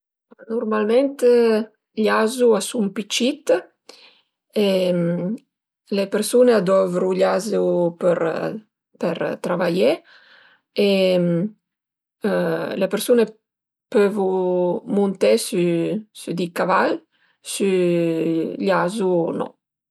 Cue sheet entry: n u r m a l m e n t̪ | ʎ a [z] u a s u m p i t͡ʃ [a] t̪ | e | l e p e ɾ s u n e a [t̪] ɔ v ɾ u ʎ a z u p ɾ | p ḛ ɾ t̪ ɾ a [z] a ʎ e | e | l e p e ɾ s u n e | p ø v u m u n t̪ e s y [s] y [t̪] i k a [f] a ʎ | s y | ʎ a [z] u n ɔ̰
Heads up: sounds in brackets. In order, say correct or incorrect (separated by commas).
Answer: correct, incorrect, incorrect, incorrect, correct, incorrect, incorrect, correct